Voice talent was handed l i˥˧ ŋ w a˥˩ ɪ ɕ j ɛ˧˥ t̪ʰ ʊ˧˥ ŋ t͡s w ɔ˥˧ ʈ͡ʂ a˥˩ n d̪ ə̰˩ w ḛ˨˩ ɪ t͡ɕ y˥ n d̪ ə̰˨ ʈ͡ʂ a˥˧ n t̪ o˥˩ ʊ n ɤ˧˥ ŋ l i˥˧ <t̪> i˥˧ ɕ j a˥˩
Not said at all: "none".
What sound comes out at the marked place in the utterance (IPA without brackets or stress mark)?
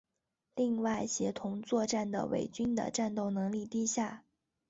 t̪